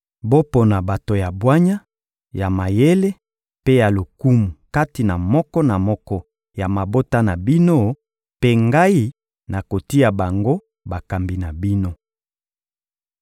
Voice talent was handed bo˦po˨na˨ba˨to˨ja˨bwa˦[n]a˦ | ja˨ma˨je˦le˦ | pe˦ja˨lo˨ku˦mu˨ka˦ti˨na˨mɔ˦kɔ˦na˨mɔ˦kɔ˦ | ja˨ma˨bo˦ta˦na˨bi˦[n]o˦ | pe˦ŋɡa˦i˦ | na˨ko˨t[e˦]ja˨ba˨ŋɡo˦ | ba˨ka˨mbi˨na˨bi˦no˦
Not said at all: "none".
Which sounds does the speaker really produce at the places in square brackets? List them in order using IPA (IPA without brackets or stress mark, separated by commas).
ɲ, n, i˦